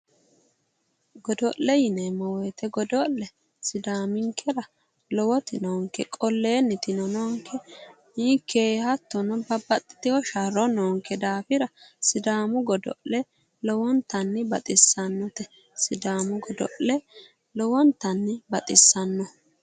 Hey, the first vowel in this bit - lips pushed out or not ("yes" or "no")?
yes